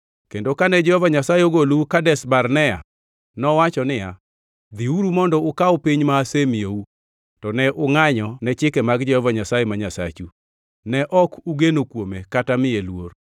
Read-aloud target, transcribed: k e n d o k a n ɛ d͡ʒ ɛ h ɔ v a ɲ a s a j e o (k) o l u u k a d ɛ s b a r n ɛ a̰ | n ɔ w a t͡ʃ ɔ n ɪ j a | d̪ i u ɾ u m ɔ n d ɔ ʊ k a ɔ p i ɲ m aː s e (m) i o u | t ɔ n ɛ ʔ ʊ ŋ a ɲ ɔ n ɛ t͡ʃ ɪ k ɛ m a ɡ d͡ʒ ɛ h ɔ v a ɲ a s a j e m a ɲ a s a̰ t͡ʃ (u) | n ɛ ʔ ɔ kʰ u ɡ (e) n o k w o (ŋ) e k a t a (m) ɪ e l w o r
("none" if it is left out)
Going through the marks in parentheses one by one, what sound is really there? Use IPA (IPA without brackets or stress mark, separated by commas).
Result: ɡ, m, u, e, m, m